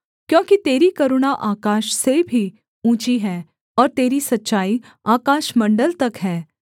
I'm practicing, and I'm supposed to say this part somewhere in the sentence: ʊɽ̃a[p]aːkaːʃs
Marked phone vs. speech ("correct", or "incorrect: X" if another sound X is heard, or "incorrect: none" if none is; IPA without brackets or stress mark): incorrect: ʔ